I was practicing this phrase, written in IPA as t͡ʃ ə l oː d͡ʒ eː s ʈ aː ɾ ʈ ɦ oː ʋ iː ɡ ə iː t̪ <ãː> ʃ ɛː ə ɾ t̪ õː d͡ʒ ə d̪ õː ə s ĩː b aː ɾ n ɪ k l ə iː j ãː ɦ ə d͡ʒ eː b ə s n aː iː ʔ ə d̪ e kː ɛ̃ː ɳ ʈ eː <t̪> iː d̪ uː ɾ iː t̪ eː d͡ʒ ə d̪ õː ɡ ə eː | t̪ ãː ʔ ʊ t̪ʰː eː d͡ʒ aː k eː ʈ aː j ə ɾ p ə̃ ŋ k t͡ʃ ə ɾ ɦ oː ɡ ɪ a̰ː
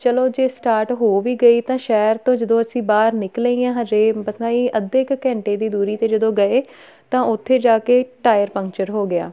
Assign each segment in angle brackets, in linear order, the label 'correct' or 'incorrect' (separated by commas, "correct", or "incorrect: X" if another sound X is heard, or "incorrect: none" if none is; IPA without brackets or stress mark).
correct, incorrect: d̪